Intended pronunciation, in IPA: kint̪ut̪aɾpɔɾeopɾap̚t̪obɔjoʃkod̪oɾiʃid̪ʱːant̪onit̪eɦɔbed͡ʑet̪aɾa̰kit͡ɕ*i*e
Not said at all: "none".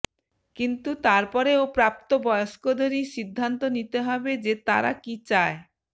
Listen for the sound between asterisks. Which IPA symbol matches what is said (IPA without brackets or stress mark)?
a